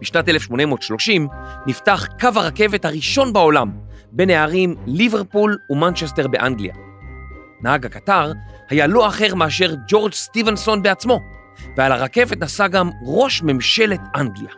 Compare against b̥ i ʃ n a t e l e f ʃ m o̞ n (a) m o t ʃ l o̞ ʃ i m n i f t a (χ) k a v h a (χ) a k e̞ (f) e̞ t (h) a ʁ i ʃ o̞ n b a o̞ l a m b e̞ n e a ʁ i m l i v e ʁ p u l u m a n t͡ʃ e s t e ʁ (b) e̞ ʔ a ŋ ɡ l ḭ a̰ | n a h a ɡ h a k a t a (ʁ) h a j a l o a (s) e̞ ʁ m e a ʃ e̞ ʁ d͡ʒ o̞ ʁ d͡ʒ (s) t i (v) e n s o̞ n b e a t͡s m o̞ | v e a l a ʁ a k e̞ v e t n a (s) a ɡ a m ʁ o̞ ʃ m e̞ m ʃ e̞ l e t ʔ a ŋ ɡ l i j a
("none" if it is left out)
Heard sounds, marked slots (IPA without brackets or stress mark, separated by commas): e, χ, ʁ, v, h, b, ʁ, χ, s, v, s